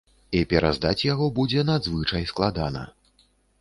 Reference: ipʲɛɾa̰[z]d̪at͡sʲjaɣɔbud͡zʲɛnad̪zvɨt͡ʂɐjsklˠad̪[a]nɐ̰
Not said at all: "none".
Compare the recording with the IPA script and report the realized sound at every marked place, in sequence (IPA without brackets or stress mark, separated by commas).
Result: z, a